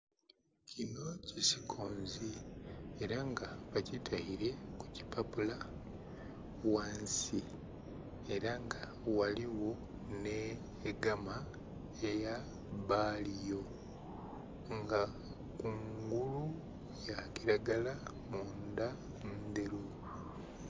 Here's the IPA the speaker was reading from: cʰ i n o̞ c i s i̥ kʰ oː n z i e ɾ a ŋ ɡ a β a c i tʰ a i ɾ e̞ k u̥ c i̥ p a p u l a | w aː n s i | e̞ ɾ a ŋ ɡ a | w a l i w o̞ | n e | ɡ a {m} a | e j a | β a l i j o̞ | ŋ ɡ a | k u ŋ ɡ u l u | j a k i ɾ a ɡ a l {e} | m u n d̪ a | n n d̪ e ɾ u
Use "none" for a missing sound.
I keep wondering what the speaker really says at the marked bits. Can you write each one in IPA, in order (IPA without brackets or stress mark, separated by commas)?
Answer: m, a